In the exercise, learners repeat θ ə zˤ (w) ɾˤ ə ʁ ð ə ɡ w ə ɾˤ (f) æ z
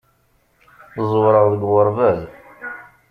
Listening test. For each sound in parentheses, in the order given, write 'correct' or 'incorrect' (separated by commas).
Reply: correct, incorrect